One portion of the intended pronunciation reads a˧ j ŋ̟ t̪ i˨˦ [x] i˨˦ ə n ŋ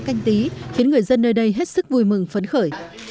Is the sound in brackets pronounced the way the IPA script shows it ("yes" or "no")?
yes